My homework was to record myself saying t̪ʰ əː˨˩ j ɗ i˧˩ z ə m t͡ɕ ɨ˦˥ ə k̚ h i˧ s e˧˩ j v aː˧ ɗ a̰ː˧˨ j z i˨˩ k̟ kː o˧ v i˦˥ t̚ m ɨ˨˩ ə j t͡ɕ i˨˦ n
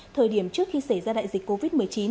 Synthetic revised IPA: t̪ʰ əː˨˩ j ɗ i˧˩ ə m t͡ɕ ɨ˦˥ ə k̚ x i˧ s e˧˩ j z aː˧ ɗ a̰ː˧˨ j z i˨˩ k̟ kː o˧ v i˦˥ t̚ m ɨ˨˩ ə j t͡ɕ i˨˦ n